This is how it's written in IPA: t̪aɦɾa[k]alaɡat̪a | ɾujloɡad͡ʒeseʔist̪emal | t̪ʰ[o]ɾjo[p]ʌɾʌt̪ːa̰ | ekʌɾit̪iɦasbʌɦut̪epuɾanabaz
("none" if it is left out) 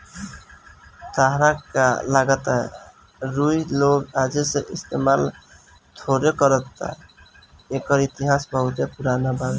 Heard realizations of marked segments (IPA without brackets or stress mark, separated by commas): k, o, k